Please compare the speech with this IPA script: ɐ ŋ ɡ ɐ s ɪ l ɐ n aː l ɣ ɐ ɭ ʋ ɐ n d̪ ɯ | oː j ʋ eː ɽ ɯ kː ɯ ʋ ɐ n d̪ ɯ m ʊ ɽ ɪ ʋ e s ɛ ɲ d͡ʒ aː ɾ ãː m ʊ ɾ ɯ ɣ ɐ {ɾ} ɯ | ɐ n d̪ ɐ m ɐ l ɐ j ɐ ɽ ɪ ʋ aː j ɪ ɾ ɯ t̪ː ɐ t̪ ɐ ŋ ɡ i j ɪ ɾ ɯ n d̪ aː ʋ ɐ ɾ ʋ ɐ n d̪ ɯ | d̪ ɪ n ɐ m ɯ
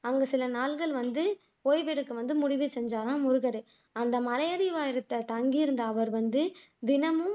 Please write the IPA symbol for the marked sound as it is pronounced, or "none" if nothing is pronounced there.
ɾ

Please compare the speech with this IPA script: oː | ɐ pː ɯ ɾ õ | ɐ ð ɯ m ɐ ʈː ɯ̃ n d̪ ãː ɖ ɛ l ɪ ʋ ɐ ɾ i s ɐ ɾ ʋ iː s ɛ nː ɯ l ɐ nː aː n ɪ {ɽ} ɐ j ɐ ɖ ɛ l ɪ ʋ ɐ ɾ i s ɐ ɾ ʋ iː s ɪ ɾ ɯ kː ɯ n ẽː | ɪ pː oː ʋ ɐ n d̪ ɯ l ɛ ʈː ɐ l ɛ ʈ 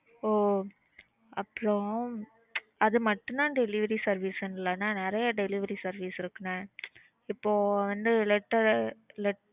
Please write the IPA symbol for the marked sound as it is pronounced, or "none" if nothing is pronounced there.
ɾ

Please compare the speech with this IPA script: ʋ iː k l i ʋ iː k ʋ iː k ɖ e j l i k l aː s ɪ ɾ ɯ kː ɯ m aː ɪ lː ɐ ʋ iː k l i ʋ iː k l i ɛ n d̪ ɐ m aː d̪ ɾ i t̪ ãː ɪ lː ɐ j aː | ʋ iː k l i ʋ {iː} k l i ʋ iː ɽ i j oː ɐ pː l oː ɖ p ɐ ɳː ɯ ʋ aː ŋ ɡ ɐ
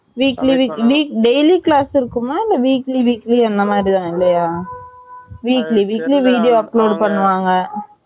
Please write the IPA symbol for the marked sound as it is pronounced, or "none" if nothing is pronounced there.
iː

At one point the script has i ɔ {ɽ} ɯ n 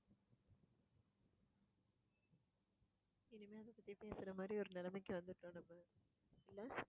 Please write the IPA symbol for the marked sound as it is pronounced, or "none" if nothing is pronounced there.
ɾ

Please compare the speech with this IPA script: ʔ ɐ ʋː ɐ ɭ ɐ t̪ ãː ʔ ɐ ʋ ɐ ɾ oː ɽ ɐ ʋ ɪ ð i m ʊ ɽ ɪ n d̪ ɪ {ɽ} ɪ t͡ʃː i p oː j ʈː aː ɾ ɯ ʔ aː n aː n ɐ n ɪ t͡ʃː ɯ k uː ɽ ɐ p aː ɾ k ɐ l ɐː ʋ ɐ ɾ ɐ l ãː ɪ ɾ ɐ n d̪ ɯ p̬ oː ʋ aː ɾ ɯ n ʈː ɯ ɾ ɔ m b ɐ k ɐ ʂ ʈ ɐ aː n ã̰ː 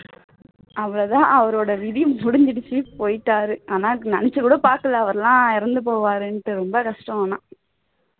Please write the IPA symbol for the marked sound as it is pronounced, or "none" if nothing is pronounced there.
ɽ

